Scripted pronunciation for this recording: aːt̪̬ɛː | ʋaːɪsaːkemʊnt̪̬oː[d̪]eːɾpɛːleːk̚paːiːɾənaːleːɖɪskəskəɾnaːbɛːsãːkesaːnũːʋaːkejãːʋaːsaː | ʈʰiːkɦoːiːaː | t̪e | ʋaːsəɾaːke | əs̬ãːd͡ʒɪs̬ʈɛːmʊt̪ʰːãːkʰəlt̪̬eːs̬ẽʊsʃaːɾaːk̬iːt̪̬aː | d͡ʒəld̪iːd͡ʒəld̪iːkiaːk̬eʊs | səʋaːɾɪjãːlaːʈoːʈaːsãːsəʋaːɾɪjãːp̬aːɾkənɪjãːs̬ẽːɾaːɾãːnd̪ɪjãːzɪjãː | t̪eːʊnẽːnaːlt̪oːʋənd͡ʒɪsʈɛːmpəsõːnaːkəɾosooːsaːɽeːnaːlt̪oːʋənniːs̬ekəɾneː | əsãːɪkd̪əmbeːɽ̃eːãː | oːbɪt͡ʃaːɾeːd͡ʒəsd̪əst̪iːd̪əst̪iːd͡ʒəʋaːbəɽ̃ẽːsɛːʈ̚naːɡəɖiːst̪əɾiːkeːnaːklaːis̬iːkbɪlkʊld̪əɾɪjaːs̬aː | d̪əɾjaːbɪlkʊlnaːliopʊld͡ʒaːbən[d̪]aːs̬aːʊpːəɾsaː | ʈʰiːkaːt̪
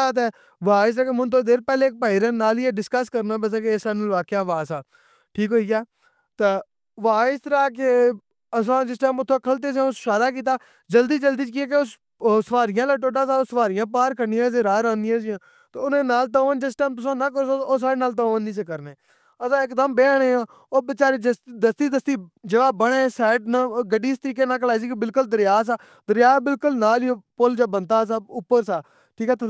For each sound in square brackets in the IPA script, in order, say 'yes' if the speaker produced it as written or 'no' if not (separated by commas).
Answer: yes, no